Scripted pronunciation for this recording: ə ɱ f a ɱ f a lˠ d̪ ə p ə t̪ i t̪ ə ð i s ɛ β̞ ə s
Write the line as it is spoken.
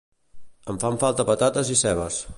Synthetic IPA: ə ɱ f a ɱ f a lˠ t̪ ə p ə t̪ a t̪ ə z i s ɛ β̞ ə s